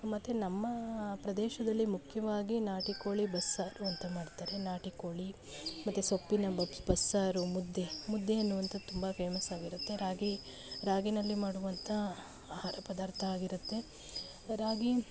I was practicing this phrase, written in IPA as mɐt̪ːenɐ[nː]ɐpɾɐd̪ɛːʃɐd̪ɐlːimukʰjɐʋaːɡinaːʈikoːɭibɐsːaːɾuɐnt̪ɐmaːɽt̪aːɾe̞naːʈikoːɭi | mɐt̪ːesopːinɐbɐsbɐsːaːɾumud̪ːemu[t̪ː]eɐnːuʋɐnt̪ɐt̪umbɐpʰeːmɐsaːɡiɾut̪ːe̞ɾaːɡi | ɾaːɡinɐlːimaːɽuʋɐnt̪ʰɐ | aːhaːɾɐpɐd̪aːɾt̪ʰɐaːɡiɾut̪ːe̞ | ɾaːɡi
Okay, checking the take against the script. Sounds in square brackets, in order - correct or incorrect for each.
incorrect: mː, incorrect: d̪ː

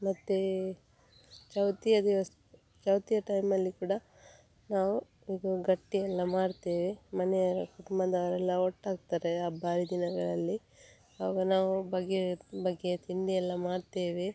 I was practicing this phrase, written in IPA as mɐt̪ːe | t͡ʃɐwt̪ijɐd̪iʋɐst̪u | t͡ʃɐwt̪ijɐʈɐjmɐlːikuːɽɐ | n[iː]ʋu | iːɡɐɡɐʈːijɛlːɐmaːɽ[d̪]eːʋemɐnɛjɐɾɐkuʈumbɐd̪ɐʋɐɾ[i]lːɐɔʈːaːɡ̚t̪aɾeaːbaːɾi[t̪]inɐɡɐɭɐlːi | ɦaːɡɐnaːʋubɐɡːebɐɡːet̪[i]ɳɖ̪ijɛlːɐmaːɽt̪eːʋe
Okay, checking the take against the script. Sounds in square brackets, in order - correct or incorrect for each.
incorrect: aː, incorrect: t̪, incorrect: ɛ, incorrect: d̪, correct

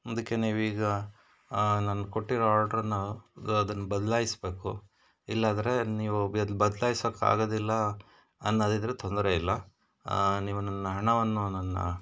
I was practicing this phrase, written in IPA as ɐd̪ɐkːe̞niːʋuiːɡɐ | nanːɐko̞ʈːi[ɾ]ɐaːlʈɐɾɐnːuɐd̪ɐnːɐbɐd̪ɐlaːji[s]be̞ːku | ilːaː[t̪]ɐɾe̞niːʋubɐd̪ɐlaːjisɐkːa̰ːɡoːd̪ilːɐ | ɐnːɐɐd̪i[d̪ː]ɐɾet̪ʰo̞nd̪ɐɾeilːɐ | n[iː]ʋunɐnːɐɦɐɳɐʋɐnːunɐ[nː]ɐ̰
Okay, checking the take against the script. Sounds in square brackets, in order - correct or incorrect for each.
correct, correct, incorrect: d̪, incorrect: d̪, correct, correct

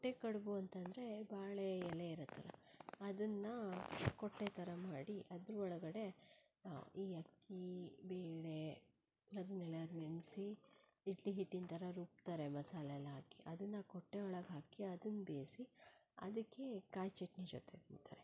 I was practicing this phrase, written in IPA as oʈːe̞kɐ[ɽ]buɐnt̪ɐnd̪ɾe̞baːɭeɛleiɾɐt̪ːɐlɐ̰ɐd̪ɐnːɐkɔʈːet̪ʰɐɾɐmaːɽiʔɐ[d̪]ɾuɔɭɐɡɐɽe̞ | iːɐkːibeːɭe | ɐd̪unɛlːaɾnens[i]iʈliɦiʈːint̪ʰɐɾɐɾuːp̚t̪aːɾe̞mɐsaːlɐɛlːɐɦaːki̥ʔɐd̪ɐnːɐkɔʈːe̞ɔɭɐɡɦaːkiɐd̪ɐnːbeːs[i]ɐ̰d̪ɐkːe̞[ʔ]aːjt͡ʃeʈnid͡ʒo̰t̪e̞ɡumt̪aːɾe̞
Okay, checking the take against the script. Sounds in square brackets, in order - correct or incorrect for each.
correct, correct, correct, correct, incorrect: k

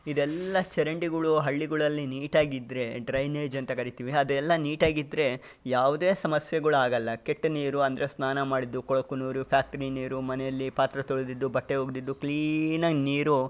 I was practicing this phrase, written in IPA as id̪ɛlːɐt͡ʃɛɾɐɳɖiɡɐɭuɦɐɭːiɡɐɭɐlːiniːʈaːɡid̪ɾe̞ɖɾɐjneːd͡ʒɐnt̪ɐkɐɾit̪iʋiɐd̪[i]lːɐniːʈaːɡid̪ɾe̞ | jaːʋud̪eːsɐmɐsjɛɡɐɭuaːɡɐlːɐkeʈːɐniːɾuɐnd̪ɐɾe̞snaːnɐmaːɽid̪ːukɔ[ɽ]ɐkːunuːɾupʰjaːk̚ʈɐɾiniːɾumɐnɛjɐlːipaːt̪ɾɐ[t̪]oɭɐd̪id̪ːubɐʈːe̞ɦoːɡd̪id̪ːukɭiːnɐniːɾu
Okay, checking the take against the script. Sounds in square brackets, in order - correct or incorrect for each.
incorrect: ɛ, incorrect: ɭ, correct

